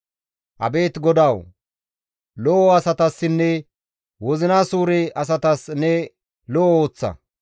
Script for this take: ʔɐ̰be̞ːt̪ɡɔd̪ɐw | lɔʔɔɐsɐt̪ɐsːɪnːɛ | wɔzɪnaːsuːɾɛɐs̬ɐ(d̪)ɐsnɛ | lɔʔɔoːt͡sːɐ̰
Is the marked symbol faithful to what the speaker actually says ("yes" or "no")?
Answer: no